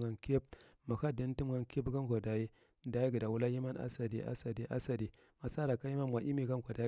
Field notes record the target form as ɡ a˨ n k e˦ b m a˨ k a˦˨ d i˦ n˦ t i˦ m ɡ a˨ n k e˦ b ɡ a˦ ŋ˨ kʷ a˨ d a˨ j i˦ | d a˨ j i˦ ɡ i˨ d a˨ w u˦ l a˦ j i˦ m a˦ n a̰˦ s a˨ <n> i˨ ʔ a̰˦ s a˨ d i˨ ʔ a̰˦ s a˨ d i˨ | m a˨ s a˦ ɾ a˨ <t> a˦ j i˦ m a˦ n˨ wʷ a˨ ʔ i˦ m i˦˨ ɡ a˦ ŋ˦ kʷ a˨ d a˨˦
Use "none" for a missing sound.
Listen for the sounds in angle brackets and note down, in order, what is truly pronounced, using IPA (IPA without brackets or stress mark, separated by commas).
d, k